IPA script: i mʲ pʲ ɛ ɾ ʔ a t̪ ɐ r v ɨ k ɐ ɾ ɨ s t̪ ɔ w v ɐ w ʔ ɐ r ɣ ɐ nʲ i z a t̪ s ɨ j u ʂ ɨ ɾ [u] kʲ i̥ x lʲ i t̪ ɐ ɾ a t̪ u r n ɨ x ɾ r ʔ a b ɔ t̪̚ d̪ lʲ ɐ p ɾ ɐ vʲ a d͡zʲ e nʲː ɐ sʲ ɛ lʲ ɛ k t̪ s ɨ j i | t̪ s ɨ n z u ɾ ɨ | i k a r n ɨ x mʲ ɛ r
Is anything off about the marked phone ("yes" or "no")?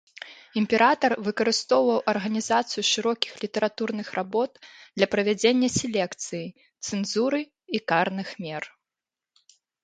yes